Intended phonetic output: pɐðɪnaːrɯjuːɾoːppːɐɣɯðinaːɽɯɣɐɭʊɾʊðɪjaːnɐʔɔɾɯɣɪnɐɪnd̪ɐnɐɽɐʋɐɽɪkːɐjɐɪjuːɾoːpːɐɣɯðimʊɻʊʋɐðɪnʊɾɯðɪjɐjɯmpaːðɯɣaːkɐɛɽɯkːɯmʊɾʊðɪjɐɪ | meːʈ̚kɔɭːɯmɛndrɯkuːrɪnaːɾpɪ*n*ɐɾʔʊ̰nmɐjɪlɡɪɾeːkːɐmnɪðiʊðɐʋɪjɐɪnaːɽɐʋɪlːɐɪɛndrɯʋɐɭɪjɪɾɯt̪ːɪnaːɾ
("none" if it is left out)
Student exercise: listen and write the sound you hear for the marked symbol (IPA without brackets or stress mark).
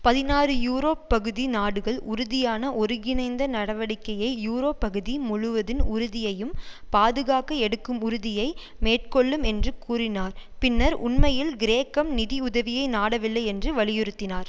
nː